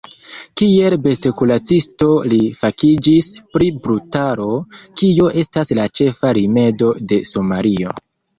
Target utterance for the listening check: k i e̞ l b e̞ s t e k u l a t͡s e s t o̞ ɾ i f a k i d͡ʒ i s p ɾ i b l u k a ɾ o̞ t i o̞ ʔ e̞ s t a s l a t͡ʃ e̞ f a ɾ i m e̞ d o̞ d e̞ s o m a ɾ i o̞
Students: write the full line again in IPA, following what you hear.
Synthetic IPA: k i e̞ l b e̞ s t e k u l a t͡s i s t o̞ l i f a k i d͡ʒ i s p ɾ i b ɾ u t a ɾ o̞ k i o̞ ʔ e̞ s t a s l a t͡ʃ e̞ f a ɾ i m e̞ d o̞ d e̞ s o m a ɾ i o̞